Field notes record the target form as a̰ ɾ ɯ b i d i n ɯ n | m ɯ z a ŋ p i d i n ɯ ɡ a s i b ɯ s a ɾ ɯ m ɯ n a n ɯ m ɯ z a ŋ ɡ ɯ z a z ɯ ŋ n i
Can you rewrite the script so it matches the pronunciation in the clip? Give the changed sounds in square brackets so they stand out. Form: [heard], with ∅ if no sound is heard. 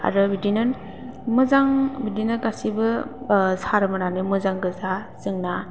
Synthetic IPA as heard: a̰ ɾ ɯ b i d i n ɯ n | m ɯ z a ŋ [b] i d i n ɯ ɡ a s i b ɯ s a ɾ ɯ m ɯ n a n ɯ m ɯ z a ŋ ɡ ɯ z a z ɯ ŋ n [a]